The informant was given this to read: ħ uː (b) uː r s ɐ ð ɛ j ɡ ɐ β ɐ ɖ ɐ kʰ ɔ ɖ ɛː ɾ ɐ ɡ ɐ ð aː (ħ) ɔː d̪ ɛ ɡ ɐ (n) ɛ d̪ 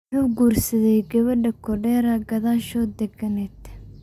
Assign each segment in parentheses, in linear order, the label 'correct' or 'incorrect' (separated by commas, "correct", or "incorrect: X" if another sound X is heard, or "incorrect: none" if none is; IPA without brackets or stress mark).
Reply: incorrect: ɡ, incorrect: ʃ, correct